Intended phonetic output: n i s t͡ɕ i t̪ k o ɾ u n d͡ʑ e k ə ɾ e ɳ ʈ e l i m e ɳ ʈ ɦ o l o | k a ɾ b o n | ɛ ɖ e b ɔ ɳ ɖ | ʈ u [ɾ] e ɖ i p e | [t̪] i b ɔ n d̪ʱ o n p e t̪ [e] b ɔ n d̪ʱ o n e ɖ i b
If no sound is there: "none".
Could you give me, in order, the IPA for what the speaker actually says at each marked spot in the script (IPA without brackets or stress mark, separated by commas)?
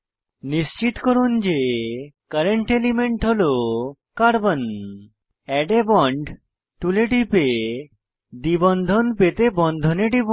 l, d̪, e